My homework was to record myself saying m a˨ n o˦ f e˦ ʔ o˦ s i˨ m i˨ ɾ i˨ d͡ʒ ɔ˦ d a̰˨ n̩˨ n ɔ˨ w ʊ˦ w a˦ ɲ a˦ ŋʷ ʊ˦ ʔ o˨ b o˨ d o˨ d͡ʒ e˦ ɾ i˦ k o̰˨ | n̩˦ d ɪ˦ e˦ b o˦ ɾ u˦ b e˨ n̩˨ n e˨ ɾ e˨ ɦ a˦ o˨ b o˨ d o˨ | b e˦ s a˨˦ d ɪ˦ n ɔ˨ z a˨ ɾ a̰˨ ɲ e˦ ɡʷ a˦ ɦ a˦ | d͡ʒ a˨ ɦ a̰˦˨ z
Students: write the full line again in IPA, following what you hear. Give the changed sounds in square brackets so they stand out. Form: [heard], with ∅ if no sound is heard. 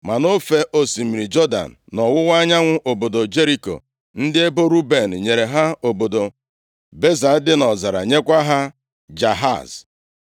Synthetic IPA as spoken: m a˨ n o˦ f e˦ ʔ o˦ s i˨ m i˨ ɾ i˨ d͡ʒ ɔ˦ d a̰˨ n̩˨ n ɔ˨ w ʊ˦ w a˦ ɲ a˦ ŋʷ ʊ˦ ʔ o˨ b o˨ d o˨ d͡ʒ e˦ ɾ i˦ k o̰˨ | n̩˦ d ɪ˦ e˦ b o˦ ɾ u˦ b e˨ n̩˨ [ɲ] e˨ ɾ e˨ ɦ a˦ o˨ b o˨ d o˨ | b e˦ [z] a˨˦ d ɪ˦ n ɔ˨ z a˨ ɾ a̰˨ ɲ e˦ [kʷ] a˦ ɦ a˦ | d͡ʒ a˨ ɦ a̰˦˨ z